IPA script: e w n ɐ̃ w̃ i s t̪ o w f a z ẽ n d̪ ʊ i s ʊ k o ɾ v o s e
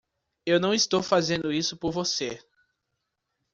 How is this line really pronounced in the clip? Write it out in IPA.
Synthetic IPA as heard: e w n ɐ̃ w̃ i s t̪ o w f a z ẽ n d̪ ʊ i s ʊ p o ɾ v o s e